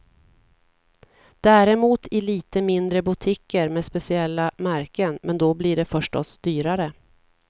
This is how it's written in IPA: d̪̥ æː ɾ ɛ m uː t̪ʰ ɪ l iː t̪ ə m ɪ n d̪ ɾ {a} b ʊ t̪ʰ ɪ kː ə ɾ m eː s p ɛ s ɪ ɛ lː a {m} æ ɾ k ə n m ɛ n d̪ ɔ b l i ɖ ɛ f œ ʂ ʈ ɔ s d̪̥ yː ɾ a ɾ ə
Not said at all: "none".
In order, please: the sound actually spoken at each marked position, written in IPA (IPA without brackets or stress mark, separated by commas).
ə, m